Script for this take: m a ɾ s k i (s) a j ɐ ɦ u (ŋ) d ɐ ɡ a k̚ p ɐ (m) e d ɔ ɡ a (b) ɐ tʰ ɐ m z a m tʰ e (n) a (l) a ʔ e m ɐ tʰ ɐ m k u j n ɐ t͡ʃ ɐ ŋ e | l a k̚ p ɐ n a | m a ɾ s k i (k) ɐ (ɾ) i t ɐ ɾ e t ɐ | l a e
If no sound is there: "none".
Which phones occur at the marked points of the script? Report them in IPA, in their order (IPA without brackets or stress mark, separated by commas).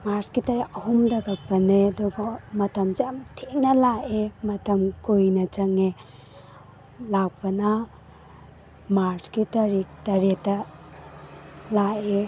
t, m, n, m, n, l, t, ɾ